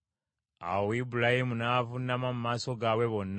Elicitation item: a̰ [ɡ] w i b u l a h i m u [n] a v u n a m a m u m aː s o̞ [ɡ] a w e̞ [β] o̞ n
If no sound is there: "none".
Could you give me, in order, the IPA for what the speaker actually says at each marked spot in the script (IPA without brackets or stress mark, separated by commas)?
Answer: none, n, ɡ, β